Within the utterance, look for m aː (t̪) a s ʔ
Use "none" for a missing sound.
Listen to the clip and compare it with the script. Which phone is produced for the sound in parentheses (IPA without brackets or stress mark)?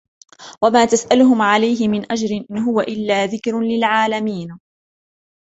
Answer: t̪